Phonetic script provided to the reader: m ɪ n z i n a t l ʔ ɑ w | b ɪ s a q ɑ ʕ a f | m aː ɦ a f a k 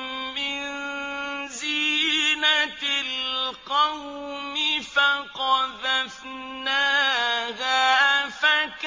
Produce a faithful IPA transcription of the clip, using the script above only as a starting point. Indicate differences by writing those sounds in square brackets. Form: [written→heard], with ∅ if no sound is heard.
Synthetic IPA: m ɪ n z i n a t l [ʔ→q] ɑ w | [b→m] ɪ [s→f] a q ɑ [ʕ→ð] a f | [m→n] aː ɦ a f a k